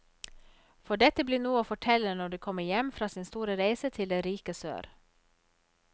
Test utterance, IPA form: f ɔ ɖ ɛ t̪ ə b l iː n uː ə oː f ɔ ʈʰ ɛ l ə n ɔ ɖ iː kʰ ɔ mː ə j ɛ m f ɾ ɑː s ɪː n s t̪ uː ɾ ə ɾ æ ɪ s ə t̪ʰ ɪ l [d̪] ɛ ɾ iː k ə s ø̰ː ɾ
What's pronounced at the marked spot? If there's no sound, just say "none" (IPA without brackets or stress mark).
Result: d̪